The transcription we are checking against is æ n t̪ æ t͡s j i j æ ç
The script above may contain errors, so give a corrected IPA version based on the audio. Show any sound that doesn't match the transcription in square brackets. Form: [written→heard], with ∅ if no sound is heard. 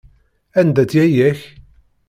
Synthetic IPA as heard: æ n [t̪→d̪] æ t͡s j [i→æ] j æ ç